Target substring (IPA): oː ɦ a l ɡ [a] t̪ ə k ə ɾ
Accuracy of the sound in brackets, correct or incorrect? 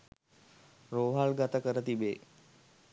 correct